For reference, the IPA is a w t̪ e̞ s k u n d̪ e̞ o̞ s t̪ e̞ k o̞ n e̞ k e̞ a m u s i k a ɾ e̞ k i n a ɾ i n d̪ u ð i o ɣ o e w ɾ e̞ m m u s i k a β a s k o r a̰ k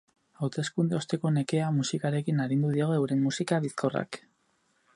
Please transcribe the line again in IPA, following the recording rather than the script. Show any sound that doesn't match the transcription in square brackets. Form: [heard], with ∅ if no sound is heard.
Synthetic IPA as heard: a w t̪ e̞ s k u n d̪ e̞ o̞ s t̪ e̞ k o̞ n e̞ k e̞ a m u s i k a ɾ e̞ k i n a ɾ i n d̪ u ð i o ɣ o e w ɾ e̞ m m u s i k a β [i] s k o r a̰ k